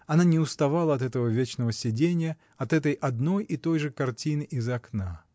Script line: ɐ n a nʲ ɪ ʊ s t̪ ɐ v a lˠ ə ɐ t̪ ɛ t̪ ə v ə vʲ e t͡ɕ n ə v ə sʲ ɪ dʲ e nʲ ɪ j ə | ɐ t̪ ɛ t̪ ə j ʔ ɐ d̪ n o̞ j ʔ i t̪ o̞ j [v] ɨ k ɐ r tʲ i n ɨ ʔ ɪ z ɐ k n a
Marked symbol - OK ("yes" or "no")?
no